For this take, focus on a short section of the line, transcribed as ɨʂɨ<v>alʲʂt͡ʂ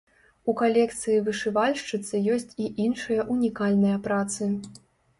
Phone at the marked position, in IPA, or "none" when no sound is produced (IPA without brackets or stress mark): v